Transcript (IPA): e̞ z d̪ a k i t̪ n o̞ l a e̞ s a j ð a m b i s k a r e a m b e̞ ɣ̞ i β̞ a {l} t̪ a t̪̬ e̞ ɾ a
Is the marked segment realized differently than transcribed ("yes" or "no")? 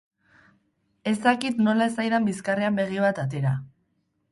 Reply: yes